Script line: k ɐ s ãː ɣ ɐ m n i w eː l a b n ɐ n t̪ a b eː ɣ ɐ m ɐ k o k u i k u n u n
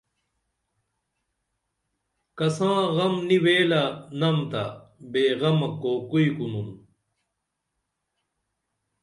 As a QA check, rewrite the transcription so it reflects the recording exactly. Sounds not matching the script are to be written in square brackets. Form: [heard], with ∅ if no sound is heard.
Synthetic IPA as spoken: k ɐ s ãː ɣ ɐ m n i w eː l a [∅] n ɐ [m] t̪ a b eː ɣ ɐ m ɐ k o k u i k u n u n